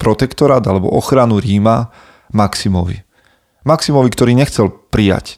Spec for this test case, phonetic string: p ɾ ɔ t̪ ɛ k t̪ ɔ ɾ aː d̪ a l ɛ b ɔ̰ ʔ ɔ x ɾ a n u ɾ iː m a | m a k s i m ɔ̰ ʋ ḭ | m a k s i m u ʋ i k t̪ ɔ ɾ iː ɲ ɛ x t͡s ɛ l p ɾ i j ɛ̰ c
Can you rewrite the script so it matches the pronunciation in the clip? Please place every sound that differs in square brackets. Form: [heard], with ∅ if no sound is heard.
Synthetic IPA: p ɾ ɔ t̪ ɛ k t̪ ɔ ɾ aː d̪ a l ɛ b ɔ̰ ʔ ɔ x ɾ a n u ɾ iː m a | m a k s i m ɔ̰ ʋ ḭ | m a k s i m [ɔ] ʋ i k t̪ ɔ ɾ iː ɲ ɛ x t͡s ɛ l p ɾ i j [a̰] c